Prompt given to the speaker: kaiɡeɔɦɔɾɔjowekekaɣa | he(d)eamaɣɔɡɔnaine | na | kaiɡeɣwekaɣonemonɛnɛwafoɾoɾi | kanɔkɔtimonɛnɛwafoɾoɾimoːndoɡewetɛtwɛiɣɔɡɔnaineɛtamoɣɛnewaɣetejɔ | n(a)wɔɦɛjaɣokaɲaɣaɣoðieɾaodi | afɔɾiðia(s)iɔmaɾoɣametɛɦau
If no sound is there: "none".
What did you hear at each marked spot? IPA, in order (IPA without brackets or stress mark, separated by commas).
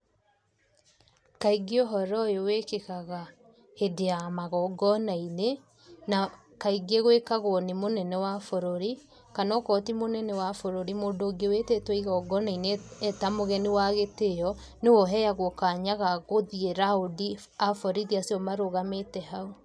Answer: d, e, s